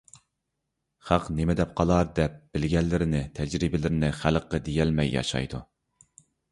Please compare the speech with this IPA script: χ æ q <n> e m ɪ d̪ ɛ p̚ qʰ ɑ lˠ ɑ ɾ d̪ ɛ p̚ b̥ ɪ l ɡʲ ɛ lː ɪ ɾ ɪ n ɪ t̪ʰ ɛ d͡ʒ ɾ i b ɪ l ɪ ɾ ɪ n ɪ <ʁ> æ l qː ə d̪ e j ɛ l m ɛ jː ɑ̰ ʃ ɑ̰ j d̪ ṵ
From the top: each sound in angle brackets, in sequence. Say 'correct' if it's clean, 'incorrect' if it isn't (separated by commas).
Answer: correct, incorrect